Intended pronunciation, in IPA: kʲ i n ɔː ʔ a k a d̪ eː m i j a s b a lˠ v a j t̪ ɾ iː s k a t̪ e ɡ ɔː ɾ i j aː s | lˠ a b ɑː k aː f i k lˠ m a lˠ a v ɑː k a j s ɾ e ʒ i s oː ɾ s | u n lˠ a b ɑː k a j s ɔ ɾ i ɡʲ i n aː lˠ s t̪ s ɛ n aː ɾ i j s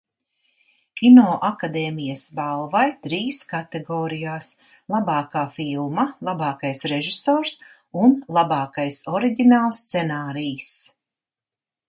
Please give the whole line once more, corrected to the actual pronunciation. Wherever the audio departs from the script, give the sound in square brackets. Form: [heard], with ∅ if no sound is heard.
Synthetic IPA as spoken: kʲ i n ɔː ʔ a k a d̪ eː m i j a s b a lˠ v a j t̪ ɾ iː s k a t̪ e ɡ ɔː ɾ i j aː s | lˠ a b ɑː k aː f i [∅] lˠ m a lˠ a [b] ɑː k a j s ɾ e ʒ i s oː ɾ s | u n lˠ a b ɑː k a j s ɔ ɾ i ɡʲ i n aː lˠ s t̪ s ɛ n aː ɾ i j s